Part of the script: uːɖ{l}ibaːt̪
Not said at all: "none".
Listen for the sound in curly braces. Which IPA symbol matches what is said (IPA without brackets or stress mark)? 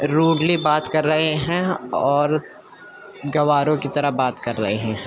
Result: l